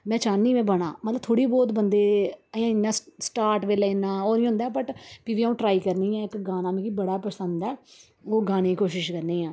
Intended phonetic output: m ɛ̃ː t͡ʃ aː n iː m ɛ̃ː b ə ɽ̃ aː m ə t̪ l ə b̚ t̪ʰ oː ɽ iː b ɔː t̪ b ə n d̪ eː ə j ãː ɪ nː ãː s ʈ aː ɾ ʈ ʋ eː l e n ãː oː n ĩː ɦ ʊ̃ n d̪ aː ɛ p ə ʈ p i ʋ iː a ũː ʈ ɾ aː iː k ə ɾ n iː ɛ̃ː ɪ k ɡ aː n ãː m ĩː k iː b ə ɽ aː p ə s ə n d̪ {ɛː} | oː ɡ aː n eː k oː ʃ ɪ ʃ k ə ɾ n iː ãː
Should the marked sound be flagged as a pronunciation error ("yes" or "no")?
no